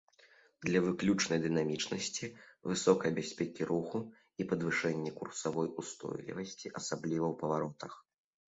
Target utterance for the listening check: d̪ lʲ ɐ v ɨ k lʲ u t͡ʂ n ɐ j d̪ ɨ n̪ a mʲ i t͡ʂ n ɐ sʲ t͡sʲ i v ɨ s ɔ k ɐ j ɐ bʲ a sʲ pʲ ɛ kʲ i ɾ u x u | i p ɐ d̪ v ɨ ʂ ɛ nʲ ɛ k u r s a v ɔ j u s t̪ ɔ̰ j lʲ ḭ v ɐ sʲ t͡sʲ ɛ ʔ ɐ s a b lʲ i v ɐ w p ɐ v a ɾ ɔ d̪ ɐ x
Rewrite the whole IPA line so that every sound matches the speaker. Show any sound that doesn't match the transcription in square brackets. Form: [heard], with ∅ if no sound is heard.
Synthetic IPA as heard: d̪ lʲ ɐ v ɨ k lʲ u t͡ʂ n ɐ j d̪ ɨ n̪ a mʲ i t͡ʂ n ɐ sʲ t͡sʲ i v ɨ s ɔ k ɐ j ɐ bʲ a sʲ pʲ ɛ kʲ i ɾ u x u | i p ɐ d̪ v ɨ ʂ ɛ [nʲː] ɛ k u r s a v ɔ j u s t̪ ɔ̰ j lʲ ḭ v ɐ sʲ t͡sʲ [i] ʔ ɐ s a b lʲ i v ɐ w p ɐ v a ɾ ɔ [t̪] ɐ x